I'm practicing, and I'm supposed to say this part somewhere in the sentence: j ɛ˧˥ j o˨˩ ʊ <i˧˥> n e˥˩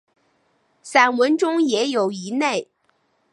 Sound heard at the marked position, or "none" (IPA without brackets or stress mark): i˧˥